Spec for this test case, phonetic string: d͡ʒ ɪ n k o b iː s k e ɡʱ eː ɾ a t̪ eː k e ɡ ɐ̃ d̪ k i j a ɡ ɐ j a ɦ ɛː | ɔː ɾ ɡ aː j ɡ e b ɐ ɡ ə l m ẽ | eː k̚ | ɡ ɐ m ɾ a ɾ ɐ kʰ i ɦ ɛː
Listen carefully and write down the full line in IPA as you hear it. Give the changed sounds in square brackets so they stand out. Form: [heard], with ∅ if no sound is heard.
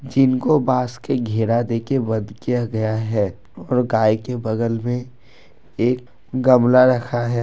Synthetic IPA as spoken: d͡ʒ ɪ n k o b [aː] s k e ɡʱ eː ɾ a [d̪] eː k e [b] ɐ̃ d̪ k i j a ɡ ɐ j a ɦ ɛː | ɔː ɾ ɡ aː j [k] e b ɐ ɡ ə l m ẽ | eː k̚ | ɡ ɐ m [l] a ɾ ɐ kʰ [a] ɦ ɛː